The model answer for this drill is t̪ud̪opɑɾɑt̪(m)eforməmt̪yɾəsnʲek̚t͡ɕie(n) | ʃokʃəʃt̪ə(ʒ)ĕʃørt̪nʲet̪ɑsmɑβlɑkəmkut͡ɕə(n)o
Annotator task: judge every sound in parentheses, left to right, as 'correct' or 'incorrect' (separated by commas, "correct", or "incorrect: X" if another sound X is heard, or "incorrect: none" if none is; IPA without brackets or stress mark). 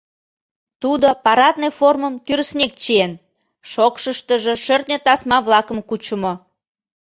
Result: incorrect: n, correct, correct, incorrect: m